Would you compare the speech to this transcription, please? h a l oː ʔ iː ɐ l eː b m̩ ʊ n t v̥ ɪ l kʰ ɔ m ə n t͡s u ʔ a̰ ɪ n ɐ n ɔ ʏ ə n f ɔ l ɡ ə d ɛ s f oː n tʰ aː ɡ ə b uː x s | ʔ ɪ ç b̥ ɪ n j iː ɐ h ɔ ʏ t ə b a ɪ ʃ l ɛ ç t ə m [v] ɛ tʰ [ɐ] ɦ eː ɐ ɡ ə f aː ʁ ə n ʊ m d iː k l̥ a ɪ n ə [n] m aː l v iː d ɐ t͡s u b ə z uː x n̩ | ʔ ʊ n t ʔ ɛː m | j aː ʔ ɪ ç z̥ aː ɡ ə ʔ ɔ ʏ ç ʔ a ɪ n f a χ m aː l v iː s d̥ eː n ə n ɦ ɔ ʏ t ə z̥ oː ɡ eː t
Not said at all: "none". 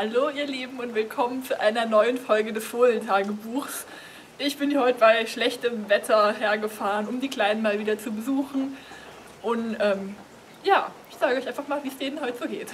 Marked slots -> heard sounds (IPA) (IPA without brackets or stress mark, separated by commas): v, ɐ, n